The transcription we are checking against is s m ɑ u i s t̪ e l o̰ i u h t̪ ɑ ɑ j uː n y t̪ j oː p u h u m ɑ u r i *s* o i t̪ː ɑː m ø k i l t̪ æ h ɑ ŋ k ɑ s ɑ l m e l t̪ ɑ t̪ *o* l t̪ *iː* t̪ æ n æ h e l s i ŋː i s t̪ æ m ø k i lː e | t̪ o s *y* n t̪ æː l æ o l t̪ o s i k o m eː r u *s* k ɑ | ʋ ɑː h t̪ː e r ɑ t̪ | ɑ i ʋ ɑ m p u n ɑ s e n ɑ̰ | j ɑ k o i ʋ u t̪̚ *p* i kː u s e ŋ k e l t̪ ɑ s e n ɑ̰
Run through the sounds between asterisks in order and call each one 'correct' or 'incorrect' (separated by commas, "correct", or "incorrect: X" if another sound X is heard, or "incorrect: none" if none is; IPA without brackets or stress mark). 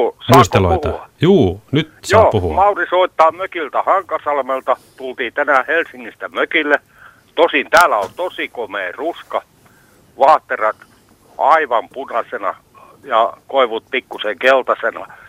correct, incorrect: u, correct, incorrect: i, correct, correct